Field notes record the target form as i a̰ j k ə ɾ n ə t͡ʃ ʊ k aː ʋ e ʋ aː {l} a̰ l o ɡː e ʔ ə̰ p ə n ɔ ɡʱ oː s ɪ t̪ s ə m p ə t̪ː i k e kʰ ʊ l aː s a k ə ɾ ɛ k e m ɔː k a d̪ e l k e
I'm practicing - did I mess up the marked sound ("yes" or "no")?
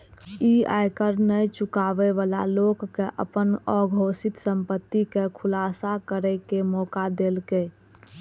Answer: no